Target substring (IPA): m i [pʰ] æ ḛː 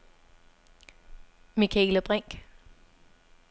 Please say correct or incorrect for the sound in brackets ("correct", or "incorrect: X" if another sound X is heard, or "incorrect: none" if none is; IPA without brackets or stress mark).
incorrect: kʰ